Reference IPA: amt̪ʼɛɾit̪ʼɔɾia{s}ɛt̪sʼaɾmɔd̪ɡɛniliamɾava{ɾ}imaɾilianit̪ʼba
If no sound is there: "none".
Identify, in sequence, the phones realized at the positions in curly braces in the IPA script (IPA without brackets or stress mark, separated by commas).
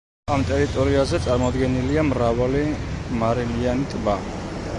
z, l